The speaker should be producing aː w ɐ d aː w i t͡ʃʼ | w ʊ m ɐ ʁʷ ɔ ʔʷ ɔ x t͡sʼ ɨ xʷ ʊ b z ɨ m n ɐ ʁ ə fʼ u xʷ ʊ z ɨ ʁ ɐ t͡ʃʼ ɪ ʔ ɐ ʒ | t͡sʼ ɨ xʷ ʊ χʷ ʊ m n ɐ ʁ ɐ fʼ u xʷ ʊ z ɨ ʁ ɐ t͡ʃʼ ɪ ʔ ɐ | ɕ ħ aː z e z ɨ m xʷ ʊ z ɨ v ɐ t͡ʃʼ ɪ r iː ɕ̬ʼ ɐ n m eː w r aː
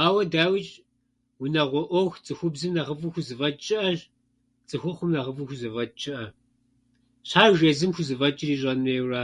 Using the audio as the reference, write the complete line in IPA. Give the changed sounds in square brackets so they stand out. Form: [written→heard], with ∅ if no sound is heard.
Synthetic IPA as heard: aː w ɐ d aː w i t͡ʃʼ | w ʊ [m→n] ɐ ʁʷ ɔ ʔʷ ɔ x t͡sʼ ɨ xʷ ʊ b z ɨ m n ɐ ʁ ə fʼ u xʷ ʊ z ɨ [ʁ→v] ɐ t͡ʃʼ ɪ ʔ ɐ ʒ | t͡sʼ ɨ xʷ ʊ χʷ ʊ m n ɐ ʁ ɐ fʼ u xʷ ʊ z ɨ [ʁ→v] ɐ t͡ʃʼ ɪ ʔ ɐ | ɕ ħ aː [z→ʒ] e z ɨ m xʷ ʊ z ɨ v ɐ t͡ʃʼ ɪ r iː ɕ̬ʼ ɐ n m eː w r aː